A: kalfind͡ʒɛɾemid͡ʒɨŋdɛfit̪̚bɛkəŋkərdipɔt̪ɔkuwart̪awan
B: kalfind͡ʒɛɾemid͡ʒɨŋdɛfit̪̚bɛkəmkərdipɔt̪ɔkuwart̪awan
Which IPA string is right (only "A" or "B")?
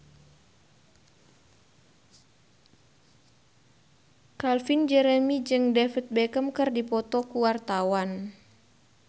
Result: B